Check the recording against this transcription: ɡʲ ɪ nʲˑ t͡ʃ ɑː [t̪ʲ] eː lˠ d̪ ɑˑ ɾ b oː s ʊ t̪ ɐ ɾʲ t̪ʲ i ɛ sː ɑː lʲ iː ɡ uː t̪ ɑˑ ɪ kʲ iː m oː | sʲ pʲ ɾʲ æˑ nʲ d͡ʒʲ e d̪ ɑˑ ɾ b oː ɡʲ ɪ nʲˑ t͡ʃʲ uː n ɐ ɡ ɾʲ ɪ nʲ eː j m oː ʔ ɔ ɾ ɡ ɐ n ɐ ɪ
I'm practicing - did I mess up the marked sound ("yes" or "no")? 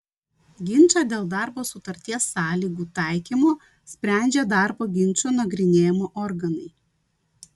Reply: yes